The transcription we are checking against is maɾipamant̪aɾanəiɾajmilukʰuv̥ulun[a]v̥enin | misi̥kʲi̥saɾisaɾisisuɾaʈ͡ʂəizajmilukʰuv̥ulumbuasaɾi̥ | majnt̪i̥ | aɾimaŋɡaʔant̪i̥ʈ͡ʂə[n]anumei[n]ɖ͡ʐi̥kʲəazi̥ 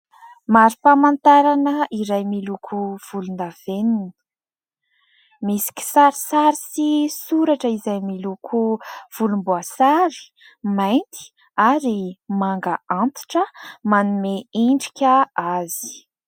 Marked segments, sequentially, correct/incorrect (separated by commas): correct, incorrect, incorrect